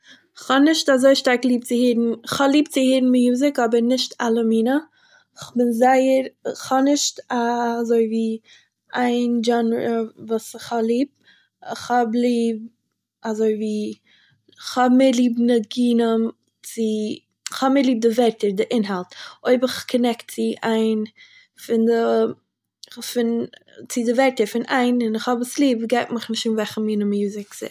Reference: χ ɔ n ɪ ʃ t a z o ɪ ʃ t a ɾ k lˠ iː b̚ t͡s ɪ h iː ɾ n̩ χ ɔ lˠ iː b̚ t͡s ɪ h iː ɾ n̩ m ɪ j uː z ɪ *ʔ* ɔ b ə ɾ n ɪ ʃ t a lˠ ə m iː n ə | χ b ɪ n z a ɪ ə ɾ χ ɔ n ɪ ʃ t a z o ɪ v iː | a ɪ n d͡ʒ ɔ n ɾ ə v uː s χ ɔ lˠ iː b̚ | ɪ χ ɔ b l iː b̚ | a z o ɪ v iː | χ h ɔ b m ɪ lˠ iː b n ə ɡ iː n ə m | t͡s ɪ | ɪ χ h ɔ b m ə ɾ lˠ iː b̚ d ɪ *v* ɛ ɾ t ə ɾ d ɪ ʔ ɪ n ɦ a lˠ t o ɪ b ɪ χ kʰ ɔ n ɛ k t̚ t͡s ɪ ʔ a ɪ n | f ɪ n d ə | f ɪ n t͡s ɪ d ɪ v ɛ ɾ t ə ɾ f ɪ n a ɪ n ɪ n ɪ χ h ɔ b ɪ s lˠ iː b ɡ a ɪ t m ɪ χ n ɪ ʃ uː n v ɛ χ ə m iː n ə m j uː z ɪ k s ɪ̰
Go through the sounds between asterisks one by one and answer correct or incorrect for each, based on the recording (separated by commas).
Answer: incorrect, correct